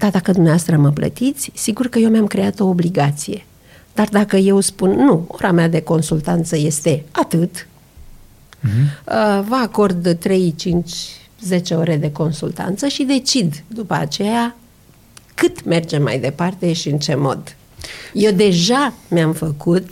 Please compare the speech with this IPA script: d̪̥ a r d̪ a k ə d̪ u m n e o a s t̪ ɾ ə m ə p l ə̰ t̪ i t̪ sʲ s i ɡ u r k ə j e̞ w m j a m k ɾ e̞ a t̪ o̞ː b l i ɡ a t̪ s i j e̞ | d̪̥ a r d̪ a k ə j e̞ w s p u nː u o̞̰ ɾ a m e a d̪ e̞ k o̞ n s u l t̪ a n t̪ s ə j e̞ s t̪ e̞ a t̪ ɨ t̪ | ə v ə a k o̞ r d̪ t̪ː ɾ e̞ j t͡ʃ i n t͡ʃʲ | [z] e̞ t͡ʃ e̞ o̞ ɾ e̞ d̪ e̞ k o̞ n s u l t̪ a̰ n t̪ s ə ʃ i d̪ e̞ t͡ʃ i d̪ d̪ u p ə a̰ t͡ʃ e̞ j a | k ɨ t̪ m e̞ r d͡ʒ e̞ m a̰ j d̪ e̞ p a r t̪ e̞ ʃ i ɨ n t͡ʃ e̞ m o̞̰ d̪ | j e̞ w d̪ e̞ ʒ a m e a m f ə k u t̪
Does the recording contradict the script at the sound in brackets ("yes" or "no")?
no